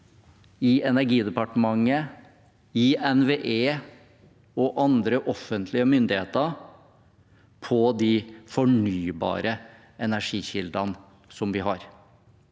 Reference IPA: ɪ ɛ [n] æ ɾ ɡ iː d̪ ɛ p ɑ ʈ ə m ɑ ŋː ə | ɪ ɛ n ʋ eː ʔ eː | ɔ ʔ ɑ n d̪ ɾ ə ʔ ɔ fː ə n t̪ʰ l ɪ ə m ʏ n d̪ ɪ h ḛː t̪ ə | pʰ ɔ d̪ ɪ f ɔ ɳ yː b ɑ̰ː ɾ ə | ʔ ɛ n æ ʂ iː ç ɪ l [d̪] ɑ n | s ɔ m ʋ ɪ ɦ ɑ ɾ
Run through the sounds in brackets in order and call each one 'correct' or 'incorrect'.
correct, correct

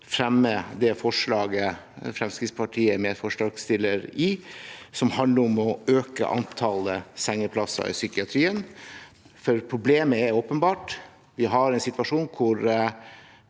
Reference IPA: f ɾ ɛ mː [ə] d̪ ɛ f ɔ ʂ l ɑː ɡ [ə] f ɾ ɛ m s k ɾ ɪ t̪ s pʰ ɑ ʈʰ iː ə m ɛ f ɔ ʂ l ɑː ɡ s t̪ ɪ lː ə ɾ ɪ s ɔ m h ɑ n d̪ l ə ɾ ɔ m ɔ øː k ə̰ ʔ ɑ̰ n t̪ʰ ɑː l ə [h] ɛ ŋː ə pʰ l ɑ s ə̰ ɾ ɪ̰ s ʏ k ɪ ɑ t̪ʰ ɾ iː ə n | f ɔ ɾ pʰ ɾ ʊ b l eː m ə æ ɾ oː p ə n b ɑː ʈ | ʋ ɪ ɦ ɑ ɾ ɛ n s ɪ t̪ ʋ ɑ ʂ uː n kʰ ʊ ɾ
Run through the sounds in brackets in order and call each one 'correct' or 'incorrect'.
correct, correct, incorrect

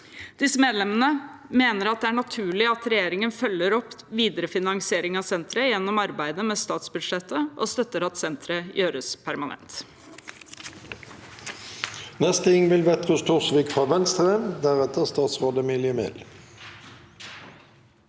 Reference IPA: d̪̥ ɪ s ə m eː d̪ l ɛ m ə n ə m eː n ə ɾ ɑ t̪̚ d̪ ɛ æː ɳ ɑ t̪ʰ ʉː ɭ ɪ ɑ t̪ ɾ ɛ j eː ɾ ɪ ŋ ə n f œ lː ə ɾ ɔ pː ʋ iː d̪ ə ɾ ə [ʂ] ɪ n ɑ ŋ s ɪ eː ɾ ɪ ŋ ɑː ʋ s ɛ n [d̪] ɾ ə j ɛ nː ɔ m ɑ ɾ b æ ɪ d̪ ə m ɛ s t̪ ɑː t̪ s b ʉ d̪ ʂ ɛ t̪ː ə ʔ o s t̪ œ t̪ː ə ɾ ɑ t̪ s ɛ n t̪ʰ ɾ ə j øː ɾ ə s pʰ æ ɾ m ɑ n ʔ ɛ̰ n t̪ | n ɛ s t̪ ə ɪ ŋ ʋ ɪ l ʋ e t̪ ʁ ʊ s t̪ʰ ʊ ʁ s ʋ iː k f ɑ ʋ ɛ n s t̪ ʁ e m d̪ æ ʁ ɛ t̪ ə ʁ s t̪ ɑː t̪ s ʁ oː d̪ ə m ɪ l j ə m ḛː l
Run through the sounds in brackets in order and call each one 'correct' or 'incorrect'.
incorrect, incorrect

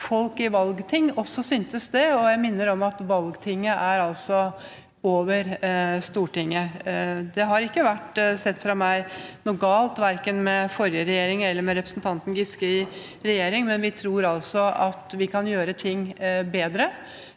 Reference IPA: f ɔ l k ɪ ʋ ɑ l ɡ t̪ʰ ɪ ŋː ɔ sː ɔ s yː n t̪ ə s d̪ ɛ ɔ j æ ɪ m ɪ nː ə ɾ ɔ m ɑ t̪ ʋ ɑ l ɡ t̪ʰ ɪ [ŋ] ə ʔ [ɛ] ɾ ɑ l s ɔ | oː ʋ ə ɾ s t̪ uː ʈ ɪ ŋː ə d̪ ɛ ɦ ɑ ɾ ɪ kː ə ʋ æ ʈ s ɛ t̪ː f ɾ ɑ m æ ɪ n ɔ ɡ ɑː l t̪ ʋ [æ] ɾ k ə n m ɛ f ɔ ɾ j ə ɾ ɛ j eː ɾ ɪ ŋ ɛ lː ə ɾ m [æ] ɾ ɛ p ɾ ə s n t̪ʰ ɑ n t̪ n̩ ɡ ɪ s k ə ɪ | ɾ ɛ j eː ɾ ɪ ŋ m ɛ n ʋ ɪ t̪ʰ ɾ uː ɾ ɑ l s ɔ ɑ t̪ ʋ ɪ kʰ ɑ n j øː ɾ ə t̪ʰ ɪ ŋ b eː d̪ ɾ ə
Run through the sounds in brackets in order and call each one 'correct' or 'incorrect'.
incorrect, incorrect, correct, incorrect

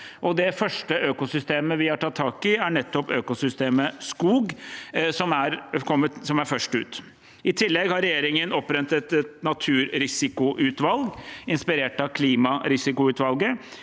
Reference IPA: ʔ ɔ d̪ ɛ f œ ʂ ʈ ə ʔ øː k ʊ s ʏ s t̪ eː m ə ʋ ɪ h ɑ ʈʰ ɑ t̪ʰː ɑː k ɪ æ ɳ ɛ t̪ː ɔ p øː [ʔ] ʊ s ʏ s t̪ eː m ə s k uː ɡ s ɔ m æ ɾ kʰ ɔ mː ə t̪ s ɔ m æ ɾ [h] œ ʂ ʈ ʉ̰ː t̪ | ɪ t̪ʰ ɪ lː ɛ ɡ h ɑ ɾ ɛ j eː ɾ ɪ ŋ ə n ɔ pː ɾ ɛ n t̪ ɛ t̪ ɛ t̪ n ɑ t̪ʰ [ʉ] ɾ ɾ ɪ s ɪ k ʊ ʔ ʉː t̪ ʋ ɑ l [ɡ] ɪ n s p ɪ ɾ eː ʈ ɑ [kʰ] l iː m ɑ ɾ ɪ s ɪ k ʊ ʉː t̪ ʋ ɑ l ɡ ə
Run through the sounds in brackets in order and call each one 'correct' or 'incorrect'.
incorrect, incorrect, incorrect, correct, correct

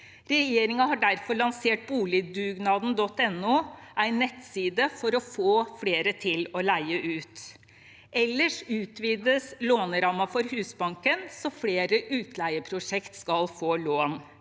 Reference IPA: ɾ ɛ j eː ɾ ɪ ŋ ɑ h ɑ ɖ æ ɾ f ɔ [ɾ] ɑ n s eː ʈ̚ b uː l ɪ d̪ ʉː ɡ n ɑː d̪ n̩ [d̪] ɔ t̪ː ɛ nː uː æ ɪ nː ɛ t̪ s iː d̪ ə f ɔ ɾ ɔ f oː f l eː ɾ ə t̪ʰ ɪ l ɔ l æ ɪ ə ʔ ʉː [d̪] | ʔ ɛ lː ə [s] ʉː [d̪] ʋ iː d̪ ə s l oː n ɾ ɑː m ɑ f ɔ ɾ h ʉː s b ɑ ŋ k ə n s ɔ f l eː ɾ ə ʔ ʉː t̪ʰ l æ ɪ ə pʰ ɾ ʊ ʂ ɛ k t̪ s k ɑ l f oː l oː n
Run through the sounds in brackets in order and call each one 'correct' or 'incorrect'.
incorrect, correct, incorrect, incorrect, incorrect

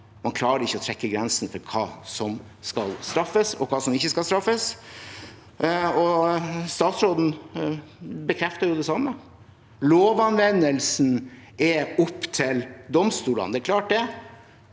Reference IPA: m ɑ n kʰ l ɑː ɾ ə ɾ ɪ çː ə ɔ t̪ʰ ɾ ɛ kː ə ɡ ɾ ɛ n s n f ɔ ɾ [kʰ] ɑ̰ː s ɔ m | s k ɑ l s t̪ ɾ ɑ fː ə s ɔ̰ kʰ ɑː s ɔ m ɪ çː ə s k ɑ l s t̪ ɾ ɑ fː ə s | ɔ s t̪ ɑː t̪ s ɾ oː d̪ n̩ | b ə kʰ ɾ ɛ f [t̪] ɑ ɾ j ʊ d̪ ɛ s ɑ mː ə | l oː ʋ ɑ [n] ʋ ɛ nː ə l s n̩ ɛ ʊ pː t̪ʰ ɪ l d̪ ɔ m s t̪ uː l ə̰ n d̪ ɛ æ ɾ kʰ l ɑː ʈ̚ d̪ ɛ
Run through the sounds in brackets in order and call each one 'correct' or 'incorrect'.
correct, correct, correct

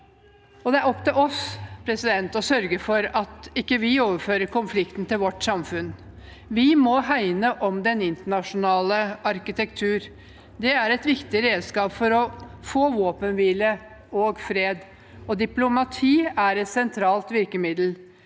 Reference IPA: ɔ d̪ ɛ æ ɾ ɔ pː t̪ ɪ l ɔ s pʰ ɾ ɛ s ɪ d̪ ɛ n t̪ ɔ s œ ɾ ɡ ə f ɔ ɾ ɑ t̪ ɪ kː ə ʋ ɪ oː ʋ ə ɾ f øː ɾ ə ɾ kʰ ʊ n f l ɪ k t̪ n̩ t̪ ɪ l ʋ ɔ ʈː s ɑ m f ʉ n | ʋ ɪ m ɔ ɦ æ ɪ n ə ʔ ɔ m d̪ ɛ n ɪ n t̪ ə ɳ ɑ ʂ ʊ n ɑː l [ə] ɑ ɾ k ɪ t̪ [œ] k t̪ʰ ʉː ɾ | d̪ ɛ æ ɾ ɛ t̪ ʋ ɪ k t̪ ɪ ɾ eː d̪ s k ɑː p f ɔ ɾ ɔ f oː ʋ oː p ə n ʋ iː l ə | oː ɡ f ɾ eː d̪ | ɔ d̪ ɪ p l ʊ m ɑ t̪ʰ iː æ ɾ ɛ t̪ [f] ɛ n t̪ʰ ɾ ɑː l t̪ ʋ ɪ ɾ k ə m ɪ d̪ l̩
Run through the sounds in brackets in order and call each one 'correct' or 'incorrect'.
correct, incorrect, incorrect

